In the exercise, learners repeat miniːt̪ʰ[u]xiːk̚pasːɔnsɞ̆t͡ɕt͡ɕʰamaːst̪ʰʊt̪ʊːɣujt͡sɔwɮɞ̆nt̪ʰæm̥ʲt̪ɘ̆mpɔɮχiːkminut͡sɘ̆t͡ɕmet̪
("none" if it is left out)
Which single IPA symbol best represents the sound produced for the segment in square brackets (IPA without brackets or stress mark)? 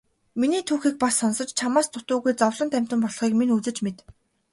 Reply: uː